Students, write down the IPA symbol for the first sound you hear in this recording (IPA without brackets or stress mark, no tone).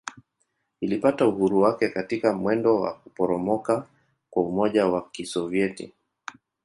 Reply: i